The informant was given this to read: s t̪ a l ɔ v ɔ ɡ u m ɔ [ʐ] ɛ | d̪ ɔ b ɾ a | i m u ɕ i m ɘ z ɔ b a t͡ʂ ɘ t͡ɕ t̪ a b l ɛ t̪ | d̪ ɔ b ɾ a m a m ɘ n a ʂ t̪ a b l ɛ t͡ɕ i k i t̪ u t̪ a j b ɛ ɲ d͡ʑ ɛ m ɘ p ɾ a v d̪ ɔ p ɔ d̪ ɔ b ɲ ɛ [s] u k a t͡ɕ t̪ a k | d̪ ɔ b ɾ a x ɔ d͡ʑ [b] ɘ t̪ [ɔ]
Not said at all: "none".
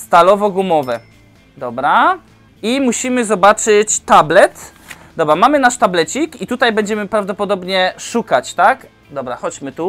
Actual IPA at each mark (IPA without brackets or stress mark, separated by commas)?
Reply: v, ʂ, m, u